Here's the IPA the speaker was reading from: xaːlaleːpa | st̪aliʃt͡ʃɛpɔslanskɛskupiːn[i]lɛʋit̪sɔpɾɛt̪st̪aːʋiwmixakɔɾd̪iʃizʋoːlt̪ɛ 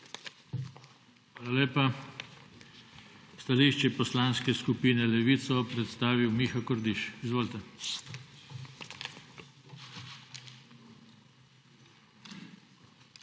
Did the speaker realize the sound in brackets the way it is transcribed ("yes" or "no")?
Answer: no